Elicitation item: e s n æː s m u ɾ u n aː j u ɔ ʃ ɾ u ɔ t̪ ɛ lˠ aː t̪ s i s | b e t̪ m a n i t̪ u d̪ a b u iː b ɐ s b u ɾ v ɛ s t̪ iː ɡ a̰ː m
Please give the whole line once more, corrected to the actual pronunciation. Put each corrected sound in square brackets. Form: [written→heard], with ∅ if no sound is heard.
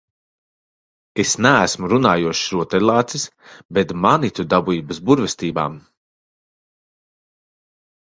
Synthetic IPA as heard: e s n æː s m u ɾ u n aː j u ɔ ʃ ɾ u ɔ t̪ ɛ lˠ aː t̪ s i s | b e t̪ m a n i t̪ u d̪ a b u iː b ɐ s b u ɾ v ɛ s t̪ iː [ɡ→b] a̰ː m